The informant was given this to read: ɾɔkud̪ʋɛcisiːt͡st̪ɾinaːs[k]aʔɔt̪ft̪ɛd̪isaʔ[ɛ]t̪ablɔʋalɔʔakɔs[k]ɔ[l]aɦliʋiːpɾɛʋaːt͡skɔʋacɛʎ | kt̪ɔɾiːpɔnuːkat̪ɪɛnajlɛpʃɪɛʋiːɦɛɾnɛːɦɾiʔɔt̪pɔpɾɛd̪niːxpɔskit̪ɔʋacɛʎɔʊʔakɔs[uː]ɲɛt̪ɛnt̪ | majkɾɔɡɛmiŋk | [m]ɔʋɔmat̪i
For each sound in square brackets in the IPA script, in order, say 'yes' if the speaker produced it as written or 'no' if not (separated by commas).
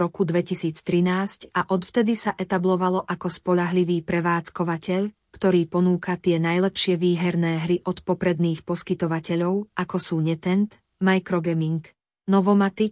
no, yes, no, no, yes, no